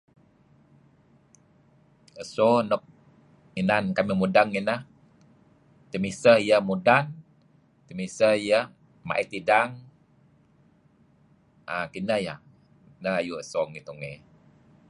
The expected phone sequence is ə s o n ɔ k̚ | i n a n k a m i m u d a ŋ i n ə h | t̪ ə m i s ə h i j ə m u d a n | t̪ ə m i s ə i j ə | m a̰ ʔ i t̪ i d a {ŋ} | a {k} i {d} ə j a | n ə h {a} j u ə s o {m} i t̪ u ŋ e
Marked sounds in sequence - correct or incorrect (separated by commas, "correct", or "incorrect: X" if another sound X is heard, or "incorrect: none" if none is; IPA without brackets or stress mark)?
correct, correct, incorrect: n, correct, incorrect: ŋ